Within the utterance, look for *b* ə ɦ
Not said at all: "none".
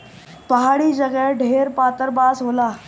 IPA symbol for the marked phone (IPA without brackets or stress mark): p